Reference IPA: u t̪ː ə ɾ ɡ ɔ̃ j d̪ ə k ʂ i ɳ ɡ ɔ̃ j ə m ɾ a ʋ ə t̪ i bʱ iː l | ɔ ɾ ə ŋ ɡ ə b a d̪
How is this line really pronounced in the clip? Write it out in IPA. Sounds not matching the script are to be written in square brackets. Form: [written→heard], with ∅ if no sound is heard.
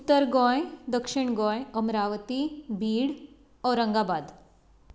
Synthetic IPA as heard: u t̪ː ə ɾ ɡ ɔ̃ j d̪ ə k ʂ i ɳ ɡ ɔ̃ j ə m ɾ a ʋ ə t̪ i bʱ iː [l→ɽ] | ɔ ɾ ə ŋ ɡ [ə→a] b a d̪

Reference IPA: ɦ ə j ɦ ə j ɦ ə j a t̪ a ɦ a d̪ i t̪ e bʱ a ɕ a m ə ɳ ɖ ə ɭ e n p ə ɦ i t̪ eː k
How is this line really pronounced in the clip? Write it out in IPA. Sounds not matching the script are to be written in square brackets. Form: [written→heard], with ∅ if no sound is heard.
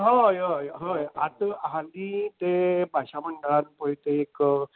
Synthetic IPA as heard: ɦ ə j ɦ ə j ɦ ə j a t̪ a ɦ a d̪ i t̪ e bʱ a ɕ a m ə ɳ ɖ ə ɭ [e→a] n p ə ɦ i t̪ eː k

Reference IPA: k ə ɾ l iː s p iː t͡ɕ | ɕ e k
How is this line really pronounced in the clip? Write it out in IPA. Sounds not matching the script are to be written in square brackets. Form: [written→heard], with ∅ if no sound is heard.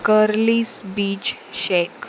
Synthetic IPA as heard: k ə ɾ l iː s [p→b] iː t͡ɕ | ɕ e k

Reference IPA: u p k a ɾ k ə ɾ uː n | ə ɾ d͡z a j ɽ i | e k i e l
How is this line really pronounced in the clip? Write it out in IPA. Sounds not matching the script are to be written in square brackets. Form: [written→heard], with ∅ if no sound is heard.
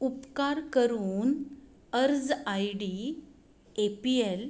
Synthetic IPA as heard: u p k a ɾ k ə ɾ uː n | ə ɾ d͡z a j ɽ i | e [k→p] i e l

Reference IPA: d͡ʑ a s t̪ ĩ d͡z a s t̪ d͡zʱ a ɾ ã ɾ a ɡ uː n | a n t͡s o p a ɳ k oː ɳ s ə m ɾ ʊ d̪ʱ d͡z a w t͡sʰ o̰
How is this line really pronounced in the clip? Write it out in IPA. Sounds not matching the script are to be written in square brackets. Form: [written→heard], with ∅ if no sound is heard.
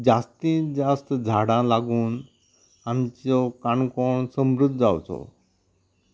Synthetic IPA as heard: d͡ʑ a s t̪ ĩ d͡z a s t̪ d͡zʱ a [ɾ→ɽ] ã [ɾ→l] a ɡ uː n | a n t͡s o [p→k] a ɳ k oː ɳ s ə m ɾ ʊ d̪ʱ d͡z a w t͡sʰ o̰

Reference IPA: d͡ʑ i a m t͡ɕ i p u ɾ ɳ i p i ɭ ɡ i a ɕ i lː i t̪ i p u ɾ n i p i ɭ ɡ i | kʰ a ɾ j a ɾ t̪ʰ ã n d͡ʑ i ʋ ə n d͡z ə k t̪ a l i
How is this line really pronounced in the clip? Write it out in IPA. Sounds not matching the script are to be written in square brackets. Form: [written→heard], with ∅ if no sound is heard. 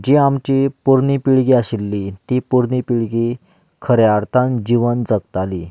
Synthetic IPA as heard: d͡ʑ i a m t͡ɕ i p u ɾ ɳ i p i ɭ ɡ i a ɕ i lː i t̪ i p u ɾ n i p i ɭ ɡ i | kʰ [a→ə] ɾ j a ɾ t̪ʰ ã n d͡ʑ i ʋ ə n d͡z ə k t̪ a l i

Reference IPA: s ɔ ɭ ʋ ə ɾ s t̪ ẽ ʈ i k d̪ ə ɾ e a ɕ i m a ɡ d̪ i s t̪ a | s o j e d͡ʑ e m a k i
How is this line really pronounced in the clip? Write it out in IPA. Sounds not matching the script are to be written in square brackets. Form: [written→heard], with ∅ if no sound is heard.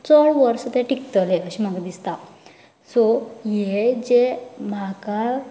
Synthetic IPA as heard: [s→t͡s] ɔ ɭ ʋ ə ɾ s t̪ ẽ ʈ i k [d̪→t̪] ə [ɾ→l] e [a→ə] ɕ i m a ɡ d̪ i s t̪ a | s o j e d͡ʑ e m a k [i→a]

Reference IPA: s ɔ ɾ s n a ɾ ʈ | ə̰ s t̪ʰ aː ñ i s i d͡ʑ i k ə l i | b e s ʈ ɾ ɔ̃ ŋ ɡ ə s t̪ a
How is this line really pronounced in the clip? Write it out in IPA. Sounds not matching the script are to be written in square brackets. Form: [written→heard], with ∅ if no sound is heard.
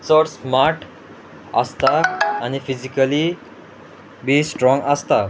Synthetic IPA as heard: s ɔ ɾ s [n→m] a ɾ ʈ | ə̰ s [t̪ʰ→t̪] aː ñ i [s→f] i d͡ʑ i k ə l i | b [e→i] s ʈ ɾ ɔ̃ ŋ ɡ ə s t̪ a

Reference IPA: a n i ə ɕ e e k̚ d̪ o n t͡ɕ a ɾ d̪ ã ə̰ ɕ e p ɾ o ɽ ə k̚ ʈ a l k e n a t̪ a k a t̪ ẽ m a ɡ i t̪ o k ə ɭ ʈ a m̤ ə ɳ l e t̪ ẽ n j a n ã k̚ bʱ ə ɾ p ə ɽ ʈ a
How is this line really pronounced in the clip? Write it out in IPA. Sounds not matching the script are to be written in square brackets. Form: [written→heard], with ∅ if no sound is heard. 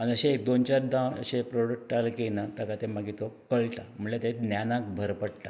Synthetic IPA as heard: a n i ə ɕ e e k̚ d̪ o n t͡ɕ a ɾ d̪ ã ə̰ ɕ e p ɾ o ɽ ə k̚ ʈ a l k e n a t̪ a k a t̪ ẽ m a ɡ i t̪ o k ə ɭ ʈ a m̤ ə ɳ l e t̪ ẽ n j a n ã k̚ bʱ ə ɾ p ə ɽ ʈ a

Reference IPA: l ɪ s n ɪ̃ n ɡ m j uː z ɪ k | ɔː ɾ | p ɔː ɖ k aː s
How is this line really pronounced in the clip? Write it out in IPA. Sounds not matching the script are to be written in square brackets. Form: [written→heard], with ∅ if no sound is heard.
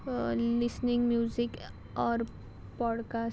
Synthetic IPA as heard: l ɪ s n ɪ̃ [n→ŋ] ɡ m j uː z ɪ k | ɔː ɾ | p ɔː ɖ k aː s

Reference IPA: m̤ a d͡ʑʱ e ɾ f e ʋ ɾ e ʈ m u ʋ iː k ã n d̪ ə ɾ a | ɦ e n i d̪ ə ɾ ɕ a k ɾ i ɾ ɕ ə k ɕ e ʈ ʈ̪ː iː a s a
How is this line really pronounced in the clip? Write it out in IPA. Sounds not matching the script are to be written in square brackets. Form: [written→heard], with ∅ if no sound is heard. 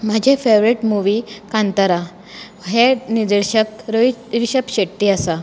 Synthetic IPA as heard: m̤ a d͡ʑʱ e [ɾ→∅] f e ʋ ɾ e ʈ m u ʋ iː k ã n [d̪→t̪] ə ɾ a | ɦ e n i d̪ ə ɾ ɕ [a→ə] k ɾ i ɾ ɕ ə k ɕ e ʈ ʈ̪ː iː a s a

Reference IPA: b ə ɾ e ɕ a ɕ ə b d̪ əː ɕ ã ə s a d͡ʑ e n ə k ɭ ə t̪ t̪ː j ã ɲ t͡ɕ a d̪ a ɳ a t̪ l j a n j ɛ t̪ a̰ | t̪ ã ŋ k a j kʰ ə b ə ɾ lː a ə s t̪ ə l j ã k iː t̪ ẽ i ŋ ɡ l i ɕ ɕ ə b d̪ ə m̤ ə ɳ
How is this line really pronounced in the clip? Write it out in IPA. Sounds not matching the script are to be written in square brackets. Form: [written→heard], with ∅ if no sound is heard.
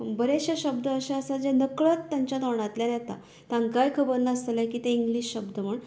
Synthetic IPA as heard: b ə ɾ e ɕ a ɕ ə b d̪ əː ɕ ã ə s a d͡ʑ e n ə k ɭ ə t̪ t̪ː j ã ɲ t͡ɕ a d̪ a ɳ a t̪ l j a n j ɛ t̪ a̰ | t̪ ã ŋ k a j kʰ ə b ə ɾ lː a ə s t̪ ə l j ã k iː t̪ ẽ i ŋ ɡ l i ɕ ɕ ə b d̪ ə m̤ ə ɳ

